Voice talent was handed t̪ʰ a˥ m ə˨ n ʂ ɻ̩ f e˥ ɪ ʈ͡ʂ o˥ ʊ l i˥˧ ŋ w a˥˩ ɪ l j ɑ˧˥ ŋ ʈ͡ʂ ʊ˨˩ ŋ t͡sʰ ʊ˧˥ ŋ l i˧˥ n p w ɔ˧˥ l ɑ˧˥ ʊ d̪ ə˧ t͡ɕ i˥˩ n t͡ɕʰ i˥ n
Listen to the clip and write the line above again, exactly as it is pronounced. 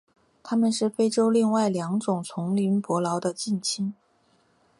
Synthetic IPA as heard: t̪ʰ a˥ m ə˨ n ʂ ɻ̩ f e˥ ɪ ʈ͡ʂ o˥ ʊ l i˥˧ ŋ w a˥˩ ɪ l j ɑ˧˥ ŋ ʈ͡ʂ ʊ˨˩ ŋ t͡sʰ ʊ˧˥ ŋ l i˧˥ n p w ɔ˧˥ l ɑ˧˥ ʊ d̪ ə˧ t͡ɕ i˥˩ n t͡ɕʰ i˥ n